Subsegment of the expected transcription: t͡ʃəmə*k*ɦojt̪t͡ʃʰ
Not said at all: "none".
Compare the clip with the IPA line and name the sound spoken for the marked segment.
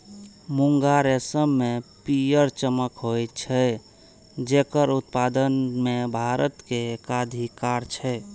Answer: k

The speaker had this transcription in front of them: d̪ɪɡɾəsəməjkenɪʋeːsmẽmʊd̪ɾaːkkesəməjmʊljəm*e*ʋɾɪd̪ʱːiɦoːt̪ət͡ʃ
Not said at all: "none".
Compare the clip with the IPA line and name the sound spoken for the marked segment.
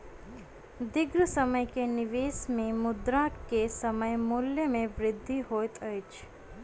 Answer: ẽ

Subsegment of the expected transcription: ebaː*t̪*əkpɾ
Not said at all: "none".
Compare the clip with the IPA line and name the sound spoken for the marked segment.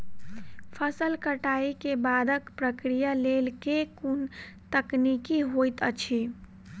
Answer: d̪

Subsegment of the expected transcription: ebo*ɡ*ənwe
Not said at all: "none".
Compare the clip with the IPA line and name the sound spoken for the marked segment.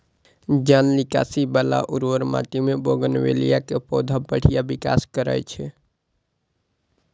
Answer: ɡ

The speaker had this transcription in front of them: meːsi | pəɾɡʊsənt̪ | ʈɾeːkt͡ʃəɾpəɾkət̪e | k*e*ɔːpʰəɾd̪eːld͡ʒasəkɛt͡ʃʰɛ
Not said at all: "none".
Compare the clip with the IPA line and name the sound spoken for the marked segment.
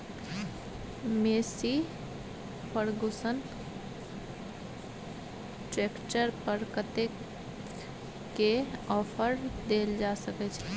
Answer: e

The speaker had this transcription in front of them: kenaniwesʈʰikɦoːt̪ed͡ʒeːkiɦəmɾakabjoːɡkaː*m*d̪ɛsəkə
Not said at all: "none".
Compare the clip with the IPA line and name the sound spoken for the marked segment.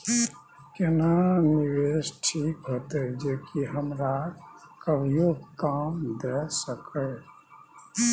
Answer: m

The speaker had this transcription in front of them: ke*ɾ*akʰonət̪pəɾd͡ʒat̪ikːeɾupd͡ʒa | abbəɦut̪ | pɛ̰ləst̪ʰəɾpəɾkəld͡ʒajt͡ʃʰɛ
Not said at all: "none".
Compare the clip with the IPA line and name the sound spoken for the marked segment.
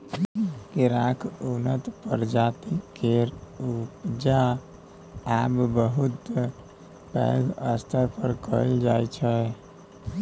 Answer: ɾ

